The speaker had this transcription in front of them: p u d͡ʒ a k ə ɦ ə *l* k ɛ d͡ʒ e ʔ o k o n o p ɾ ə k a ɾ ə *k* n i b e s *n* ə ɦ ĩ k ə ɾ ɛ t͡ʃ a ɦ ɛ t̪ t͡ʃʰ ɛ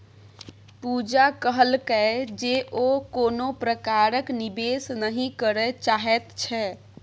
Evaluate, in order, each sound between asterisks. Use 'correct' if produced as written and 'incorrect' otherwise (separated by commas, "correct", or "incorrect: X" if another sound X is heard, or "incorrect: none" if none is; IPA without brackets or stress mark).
correct, correct, correct